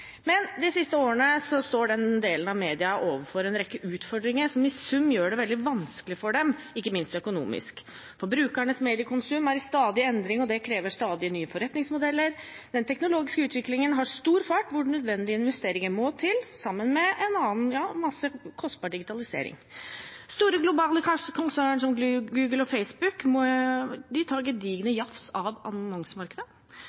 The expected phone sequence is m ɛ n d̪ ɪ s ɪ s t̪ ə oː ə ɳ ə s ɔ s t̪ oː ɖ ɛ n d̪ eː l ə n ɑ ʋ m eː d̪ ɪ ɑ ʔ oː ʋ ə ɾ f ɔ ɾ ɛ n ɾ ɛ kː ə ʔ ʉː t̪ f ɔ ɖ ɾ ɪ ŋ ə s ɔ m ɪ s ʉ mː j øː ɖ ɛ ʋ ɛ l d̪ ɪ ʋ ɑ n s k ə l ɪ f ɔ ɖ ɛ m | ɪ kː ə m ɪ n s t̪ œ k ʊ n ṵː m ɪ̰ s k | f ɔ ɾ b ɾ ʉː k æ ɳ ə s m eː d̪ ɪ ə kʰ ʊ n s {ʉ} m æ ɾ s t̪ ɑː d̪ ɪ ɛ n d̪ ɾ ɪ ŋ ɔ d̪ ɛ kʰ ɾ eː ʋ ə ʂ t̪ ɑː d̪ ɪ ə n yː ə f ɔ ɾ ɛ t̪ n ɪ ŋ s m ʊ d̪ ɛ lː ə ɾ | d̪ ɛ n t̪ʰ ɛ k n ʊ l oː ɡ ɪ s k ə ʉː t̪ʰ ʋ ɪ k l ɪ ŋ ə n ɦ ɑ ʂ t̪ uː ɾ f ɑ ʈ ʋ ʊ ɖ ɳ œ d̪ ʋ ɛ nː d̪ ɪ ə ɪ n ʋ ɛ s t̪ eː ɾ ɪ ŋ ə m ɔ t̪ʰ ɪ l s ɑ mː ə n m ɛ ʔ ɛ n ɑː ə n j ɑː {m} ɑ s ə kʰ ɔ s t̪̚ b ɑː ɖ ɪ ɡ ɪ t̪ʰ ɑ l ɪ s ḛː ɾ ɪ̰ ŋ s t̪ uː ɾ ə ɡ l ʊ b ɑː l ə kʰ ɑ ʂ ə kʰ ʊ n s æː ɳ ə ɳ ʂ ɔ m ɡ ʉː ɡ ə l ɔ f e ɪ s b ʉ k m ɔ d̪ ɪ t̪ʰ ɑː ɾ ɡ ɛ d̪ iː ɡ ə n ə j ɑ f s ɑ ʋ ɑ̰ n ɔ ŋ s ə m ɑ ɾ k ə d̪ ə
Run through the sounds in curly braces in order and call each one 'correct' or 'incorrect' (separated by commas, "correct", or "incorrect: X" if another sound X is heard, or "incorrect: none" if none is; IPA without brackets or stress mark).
correct, correct